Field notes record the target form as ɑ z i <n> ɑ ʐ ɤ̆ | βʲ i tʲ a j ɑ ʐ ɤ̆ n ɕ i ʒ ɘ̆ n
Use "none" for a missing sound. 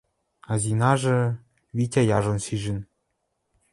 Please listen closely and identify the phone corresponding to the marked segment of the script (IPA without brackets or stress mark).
n